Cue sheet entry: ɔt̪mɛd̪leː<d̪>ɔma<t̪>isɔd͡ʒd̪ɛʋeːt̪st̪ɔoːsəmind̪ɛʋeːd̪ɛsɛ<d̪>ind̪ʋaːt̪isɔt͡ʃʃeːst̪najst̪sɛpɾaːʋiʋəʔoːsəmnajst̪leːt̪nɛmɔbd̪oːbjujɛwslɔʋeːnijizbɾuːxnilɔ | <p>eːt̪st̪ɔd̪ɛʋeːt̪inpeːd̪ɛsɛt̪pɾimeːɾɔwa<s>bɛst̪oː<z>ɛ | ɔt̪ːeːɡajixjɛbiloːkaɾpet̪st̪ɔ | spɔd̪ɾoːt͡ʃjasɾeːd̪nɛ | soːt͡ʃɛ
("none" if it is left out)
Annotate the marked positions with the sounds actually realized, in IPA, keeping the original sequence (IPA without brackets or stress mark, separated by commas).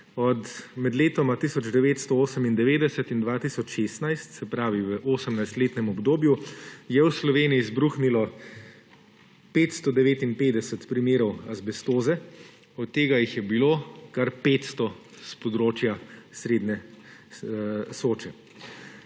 t̪, t̪, t̪, p, z, z